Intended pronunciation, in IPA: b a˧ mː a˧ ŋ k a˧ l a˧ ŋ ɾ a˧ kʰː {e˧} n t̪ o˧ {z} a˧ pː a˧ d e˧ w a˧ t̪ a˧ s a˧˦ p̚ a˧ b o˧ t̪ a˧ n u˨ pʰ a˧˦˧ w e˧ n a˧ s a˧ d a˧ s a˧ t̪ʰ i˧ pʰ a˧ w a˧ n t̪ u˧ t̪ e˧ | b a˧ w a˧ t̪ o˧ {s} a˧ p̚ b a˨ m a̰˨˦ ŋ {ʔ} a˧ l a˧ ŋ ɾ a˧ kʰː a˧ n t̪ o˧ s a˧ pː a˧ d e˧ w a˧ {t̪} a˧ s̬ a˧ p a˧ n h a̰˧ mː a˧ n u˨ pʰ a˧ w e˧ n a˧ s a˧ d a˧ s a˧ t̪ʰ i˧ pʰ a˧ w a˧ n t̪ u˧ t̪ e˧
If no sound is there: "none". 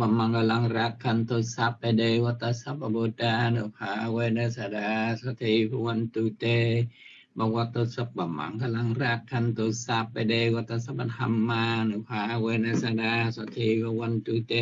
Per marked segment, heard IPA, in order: a˧, s, s, k, t̪

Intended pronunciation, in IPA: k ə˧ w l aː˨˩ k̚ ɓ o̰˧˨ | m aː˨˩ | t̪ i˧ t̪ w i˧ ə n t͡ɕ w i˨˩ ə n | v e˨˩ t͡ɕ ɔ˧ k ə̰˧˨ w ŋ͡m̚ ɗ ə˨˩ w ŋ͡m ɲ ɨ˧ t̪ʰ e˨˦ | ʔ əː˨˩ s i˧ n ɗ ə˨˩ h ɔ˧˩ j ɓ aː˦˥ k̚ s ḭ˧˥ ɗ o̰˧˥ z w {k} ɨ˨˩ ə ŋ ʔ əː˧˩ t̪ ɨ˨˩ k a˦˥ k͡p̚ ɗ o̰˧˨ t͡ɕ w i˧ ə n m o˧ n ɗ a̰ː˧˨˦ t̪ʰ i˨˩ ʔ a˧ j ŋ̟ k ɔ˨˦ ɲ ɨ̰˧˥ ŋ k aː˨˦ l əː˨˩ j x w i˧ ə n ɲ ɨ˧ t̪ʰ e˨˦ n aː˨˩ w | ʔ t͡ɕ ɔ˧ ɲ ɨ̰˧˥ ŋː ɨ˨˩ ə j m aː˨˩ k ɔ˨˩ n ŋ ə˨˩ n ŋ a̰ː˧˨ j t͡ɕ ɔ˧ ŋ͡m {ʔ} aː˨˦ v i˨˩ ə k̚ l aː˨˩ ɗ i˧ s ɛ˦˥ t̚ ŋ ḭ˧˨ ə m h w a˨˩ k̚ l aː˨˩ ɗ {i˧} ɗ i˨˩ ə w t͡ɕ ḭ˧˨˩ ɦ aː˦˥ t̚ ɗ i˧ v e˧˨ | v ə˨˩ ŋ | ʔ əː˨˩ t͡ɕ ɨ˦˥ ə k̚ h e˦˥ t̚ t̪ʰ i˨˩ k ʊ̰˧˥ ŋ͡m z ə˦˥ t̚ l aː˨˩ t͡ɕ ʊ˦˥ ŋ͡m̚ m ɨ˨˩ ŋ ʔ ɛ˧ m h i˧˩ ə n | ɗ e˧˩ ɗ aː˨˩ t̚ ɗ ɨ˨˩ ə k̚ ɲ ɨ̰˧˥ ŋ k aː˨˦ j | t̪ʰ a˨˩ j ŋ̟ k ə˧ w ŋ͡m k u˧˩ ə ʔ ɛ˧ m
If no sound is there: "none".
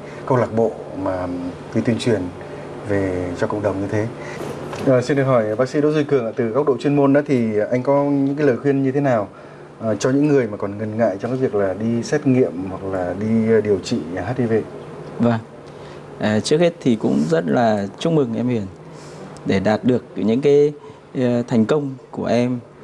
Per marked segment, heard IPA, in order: k, k, i˧

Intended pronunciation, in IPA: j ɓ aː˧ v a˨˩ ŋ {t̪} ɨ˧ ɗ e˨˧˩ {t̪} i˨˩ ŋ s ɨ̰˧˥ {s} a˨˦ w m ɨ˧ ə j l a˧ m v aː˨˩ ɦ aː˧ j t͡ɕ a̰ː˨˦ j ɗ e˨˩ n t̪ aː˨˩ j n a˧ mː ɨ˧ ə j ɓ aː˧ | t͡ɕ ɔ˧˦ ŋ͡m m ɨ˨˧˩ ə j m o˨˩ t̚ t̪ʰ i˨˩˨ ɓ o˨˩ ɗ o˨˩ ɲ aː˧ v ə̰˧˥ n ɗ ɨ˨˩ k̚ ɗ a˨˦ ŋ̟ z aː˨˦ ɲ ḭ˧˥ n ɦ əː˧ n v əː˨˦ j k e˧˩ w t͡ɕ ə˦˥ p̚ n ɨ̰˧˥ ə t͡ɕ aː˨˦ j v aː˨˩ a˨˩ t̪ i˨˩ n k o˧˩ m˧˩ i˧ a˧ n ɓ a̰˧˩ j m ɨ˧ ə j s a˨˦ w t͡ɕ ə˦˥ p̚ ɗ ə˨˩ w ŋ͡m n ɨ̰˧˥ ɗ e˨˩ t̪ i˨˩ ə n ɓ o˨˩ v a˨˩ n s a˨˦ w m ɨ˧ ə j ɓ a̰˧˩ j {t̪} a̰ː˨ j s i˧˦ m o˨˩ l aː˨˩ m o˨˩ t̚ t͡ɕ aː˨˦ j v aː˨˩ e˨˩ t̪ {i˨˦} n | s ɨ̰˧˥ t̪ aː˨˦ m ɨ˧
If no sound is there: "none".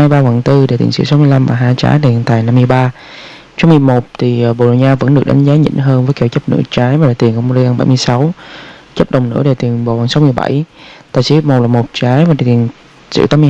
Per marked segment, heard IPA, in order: t̪, t̪, s, t̪, i˨˩

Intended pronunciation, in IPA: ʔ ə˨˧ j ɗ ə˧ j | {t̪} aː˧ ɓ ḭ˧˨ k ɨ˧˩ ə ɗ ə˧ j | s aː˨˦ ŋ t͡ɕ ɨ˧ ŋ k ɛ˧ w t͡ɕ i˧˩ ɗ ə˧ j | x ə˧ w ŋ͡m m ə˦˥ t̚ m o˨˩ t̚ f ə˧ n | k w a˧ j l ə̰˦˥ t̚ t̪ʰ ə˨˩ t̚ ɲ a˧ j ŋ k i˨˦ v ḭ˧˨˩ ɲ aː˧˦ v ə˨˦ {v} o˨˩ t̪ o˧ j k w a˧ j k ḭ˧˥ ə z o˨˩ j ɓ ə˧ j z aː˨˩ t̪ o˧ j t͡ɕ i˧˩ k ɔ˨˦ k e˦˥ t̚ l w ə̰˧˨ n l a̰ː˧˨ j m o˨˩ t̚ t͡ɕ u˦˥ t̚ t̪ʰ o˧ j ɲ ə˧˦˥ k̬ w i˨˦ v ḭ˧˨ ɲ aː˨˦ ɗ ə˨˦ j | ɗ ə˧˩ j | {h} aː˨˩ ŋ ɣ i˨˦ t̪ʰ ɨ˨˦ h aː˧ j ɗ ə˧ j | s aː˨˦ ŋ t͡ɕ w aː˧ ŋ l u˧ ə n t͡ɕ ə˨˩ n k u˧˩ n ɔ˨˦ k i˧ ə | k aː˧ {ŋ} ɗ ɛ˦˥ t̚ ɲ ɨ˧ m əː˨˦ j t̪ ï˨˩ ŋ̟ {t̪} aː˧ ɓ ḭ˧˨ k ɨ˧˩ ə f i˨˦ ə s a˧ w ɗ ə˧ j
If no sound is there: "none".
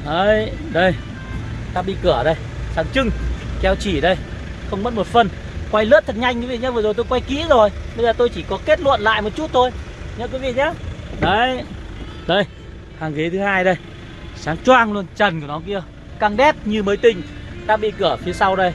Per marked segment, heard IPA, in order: t̪, z, h, ŋ, t̪

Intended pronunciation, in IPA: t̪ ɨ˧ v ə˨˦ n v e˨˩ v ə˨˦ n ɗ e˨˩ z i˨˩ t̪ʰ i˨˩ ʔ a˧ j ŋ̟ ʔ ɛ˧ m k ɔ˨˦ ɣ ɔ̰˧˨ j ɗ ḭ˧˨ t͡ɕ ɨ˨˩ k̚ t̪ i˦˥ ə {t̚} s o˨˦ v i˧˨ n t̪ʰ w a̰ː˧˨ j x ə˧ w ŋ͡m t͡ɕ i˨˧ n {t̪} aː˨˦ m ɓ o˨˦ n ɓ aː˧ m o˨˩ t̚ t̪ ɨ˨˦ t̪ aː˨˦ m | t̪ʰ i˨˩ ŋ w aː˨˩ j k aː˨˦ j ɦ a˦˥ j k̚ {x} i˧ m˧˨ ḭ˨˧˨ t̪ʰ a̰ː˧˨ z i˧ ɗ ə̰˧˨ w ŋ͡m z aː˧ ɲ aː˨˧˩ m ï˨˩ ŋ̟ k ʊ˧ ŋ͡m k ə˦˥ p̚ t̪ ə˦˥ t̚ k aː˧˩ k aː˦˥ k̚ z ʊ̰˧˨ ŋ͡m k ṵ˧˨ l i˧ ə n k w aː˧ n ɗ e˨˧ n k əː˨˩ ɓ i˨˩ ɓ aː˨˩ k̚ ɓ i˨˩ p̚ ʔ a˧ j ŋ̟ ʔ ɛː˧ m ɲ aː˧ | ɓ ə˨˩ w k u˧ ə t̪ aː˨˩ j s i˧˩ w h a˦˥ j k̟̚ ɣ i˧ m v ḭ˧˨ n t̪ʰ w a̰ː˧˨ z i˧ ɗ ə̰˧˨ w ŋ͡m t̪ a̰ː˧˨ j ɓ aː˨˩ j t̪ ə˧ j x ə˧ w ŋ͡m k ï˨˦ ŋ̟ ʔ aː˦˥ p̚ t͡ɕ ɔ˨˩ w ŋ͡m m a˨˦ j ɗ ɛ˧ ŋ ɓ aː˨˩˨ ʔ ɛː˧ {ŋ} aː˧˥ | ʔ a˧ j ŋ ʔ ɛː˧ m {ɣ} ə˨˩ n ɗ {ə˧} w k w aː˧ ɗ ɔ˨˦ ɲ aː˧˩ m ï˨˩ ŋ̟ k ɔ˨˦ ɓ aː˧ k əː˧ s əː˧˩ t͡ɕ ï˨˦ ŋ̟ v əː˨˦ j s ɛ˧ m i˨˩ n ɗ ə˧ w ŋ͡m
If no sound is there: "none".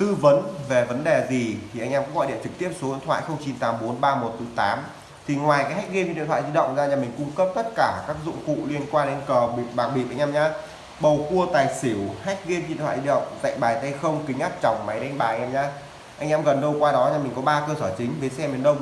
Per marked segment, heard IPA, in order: p̚, t̪, ɣ, ɲ, ɣ, ə˧

